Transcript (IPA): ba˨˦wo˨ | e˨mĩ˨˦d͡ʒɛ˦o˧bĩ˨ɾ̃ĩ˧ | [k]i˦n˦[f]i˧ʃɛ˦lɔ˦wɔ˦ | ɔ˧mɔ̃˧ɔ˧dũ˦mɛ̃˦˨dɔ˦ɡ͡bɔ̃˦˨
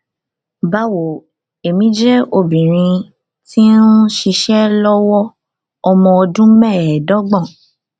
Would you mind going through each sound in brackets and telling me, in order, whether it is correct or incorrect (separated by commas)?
incorrect, incorrect